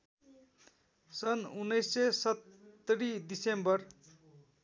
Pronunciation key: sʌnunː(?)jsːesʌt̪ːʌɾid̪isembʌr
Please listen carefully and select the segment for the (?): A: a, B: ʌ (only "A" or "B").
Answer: B